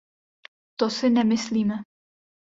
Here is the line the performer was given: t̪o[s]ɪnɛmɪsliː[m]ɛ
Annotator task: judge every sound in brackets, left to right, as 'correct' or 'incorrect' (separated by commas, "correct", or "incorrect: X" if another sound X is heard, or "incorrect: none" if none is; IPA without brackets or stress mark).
correct, correct